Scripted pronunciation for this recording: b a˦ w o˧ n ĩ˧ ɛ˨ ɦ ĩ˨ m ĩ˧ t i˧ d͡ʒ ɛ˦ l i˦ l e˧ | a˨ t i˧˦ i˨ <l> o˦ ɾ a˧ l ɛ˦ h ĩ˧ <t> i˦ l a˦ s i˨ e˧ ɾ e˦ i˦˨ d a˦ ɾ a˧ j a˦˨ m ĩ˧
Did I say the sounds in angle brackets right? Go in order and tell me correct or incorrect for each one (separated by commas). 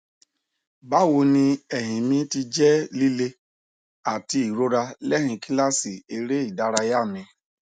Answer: incorrect, incorrect